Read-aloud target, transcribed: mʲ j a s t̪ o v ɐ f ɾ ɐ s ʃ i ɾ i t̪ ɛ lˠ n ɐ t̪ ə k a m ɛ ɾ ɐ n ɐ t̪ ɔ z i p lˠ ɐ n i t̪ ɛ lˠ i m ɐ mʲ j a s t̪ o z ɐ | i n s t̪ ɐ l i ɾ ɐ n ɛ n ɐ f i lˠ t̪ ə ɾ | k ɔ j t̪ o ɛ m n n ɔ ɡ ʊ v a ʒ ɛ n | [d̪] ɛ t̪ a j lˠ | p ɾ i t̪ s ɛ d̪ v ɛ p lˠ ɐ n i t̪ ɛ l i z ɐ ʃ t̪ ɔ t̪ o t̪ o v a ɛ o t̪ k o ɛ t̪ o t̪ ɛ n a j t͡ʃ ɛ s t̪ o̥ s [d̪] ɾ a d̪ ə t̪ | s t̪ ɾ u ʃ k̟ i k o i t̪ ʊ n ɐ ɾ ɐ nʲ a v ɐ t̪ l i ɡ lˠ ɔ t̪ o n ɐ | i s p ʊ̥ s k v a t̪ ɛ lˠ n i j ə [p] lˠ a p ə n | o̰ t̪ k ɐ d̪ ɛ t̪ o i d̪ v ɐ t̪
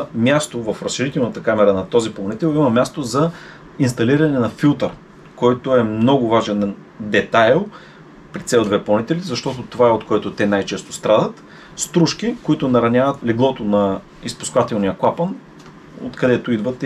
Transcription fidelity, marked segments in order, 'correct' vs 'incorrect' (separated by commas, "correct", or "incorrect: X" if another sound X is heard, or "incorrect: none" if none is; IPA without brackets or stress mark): correct, incorrect: t̪, incorrect: k